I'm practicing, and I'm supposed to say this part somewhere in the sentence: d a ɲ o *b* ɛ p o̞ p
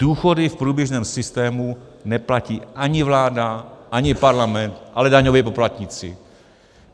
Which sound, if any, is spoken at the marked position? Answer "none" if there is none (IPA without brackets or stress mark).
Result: v